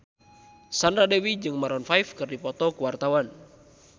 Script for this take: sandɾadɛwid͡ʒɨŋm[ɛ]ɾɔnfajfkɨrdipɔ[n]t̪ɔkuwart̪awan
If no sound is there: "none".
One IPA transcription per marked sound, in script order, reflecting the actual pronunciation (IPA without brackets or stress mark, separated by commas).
a, none